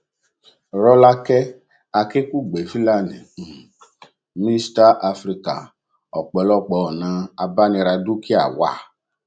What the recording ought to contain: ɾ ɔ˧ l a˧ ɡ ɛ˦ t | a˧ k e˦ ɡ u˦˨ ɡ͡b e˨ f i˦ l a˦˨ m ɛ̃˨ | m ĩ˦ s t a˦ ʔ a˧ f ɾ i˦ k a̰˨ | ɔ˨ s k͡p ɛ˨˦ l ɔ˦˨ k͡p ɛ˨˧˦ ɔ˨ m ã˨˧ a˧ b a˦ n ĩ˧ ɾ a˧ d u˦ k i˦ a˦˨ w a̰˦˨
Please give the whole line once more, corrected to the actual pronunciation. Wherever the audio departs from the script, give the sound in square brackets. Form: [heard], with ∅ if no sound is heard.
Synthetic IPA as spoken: ɾ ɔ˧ l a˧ [k] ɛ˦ [∅] | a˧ k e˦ [k] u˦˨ ɡ͡b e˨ f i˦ l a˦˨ [n] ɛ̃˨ | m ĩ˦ s t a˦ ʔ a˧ f ɾ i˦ k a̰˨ | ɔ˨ [∅] k͡p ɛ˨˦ l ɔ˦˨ k͡p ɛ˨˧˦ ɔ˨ [n] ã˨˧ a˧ b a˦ n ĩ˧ ɾ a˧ d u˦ k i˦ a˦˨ w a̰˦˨